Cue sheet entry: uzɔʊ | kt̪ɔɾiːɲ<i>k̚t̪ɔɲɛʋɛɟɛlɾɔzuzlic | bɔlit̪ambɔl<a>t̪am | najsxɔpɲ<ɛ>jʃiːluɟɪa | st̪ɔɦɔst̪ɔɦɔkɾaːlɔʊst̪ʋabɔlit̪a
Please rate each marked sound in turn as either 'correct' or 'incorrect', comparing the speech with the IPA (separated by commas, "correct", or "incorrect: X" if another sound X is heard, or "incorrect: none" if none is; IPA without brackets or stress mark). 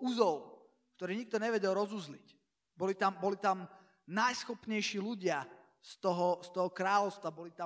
correct, incorrect: i, correct